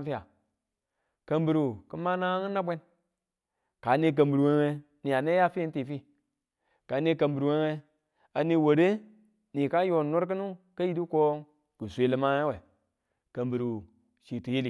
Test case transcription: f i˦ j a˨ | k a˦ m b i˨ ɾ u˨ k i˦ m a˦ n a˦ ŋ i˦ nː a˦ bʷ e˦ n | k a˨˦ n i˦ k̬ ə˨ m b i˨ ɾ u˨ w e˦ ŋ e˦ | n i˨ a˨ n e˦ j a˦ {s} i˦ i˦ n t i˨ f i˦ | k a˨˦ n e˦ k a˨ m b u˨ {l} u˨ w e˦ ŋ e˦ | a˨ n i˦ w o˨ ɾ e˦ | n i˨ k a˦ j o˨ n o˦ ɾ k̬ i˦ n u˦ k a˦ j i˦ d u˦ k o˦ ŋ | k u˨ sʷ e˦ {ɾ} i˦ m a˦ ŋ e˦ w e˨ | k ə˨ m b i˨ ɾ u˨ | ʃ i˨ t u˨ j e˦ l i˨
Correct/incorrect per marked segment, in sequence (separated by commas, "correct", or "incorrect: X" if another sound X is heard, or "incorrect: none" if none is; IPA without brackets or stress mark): incorrect: f, incorrect: ɾ, incorrect: l